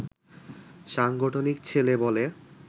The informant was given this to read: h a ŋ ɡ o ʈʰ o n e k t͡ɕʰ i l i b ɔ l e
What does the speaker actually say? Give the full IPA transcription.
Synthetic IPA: ʃ a ŋ ɡ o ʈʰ o n i k t͡ɕʰ e l e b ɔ l e